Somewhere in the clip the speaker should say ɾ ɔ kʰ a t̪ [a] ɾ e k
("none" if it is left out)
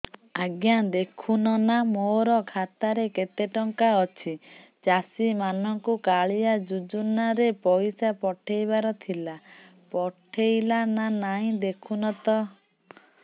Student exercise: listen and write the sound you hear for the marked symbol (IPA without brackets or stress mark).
a